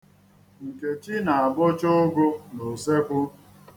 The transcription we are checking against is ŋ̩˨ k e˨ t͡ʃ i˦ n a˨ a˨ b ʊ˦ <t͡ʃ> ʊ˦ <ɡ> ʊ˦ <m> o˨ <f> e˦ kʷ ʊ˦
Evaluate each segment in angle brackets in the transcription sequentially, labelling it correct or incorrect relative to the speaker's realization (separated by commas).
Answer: correct, correct, incorrect, incorrect